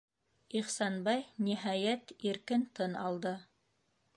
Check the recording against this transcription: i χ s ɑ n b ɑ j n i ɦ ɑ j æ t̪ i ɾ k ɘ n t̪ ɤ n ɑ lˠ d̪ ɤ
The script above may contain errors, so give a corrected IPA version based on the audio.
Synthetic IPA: i χ s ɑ n b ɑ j n i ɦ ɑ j æ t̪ i ɾ k ɘ n t̪ ɤ n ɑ lˠ d̪ ɤ